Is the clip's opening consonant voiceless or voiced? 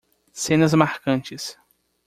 voiceless